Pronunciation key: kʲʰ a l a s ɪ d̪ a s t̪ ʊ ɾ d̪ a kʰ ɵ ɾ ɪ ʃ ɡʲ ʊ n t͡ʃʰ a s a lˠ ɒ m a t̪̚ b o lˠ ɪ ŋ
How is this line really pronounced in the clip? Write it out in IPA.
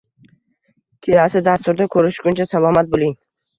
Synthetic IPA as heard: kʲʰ e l a s ɪ d̪ a s t̪ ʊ ɾ d̪ a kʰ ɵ ɾ ɪ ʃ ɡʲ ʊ n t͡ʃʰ a s a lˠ ɒ m a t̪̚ b o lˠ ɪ ŋ